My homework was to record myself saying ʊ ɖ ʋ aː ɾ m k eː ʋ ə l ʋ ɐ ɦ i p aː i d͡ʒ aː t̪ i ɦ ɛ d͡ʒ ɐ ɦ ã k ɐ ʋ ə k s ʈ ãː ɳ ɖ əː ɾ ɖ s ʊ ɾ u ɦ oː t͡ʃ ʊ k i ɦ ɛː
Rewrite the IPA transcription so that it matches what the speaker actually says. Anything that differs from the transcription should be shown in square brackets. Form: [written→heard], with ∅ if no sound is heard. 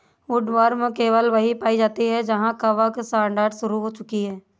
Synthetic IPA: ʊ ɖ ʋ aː ɾ m k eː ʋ ə l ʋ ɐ ɦ i p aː i d͡ʒ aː t̪ i ɦ ɛ d͡ʒ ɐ ɦ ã k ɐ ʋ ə k s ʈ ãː ɳ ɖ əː ɾ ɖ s ʊ ɾ u ɦ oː t͡ʃ ʊ k i ɦ ɛː